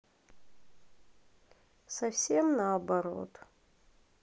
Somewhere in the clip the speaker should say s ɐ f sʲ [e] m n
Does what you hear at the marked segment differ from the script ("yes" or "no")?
no